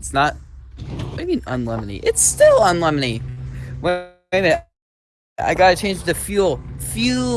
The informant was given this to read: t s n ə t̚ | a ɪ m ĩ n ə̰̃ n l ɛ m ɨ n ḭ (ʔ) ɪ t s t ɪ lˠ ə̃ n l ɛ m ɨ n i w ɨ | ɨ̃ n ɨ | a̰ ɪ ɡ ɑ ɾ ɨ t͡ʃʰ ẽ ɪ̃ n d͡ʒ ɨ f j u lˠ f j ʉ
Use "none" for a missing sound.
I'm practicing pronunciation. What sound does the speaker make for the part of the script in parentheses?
ʔ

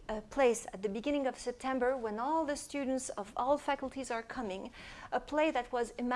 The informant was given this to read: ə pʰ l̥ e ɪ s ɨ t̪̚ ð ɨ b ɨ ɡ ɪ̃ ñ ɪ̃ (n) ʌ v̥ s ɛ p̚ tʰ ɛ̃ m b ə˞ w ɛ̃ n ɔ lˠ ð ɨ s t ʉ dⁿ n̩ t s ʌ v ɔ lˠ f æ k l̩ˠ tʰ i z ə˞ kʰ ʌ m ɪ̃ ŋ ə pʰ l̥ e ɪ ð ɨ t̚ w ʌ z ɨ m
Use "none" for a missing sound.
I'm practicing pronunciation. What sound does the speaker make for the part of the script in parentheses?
ŋ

